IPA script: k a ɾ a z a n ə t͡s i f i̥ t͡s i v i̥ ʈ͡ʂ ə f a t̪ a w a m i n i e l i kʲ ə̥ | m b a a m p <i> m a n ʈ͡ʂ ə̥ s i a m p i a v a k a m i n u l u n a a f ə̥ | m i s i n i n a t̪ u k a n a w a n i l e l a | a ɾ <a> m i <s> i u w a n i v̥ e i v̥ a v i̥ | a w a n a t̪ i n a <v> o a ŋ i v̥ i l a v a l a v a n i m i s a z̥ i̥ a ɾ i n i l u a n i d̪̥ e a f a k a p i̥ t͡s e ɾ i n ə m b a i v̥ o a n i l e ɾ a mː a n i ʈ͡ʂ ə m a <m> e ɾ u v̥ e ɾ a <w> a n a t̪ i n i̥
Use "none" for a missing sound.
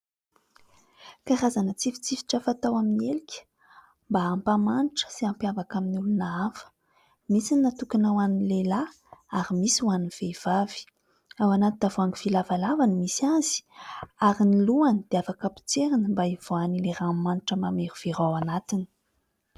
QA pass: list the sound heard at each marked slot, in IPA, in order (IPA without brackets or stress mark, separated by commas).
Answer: a, i, s, v, m, w